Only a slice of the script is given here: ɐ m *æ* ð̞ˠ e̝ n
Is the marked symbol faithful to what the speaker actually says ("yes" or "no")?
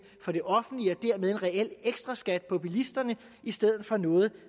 no